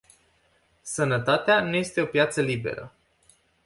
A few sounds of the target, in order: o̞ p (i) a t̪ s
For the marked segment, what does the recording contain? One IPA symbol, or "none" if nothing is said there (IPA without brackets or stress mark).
j